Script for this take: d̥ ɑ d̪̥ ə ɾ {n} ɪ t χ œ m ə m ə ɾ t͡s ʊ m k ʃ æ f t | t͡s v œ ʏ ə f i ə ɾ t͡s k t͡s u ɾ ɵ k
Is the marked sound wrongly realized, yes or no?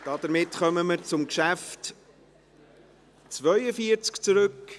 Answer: yes